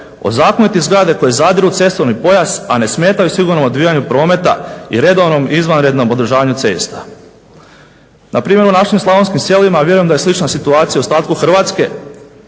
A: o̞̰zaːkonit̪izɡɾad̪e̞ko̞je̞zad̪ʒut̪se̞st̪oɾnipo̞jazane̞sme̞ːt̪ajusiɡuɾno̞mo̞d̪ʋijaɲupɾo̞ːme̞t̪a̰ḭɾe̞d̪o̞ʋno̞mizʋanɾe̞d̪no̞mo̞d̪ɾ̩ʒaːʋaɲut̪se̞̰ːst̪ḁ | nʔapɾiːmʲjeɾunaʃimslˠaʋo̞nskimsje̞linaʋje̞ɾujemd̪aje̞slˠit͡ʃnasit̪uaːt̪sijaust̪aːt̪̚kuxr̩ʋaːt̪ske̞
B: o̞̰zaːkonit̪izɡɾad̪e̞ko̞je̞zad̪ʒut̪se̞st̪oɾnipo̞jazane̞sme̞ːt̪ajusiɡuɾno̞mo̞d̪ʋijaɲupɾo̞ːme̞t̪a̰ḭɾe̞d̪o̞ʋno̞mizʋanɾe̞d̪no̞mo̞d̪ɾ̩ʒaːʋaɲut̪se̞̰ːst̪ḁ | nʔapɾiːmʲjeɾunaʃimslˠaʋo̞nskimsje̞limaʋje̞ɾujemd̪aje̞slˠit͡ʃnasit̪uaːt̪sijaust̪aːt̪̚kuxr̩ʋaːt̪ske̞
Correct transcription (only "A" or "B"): B